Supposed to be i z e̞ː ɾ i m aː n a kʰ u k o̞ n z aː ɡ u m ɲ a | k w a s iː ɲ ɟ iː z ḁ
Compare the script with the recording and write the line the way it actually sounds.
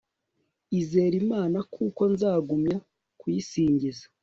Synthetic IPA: i z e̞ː ɾ i m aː n a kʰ u k o̞ n z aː ɡ u m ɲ a | k w i s iː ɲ ɟ i z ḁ